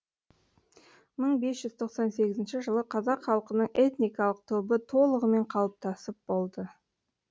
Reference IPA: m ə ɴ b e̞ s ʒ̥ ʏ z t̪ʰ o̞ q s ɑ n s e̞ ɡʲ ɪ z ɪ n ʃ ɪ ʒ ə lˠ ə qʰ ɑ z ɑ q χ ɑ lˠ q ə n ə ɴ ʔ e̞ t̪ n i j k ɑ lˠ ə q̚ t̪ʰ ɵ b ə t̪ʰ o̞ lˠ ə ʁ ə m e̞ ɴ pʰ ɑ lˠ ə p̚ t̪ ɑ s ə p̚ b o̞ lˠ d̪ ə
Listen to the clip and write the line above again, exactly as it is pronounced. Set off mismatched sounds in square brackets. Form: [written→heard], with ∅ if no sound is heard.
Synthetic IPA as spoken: m ə ɴ b e̞ s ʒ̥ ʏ z t̪ʰ o̞ q s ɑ n s e̞ ɡʲ ɪ z ɪ n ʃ ɪ ʒ ə lˠ ə qʰ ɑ z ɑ q χ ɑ lˠ q ə n ə ɴ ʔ e̞ t̪ n i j k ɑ lˠ ə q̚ t̪ʰ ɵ b ə t̪ʰ o̞ lˠ ə ʁ ə m e̞ ɴ [pʰ→qʰ] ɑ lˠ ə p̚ t̪ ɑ s ə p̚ b o̞ lˠ d̪ ə